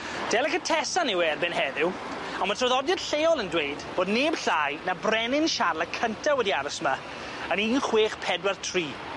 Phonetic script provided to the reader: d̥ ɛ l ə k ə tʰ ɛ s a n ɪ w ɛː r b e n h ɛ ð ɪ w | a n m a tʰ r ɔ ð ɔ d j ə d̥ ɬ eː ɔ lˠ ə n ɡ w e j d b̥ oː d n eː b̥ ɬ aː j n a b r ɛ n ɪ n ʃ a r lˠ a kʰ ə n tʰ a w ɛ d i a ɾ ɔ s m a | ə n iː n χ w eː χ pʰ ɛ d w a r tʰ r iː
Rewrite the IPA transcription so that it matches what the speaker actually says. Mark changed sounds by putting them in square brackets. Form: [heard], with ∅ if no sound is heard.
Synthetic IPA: d̥ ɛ l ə k ə tʰ ɛ s a n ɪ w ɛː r b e n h ɛ ð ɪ w | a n m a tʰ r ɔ ð ɔ d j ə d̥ ɬ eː ɔ lˠ ə n [d] w e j d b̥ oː d n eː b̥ ɬ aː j n a b r ɛ n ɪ n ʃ a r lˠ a kʰ ə n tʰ a w ɛ d i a ɾ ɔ s m a | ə n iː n χ w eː χ pʰ ɛ d w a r tʰ r iː